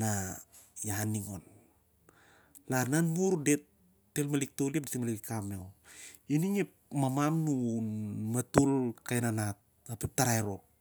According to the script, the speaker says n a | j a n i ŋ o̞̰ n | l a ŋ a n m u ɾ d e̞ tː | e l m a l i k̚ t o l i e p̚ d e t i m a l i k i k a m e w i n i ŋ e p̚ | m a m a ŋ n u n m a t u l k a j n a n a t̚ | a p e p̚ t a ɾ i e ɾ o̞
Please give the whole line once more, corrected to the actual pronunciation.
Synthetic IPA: n a | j a n i ŋ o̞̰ n | l a n a n m u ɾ d e̞ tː | e l m a l i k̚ t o l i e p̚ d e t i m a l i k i k a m e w i n i ŋ e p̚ | m a m a m n u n m a t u l k a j n a n a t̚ | a p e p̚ t a ɾ a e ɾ o̞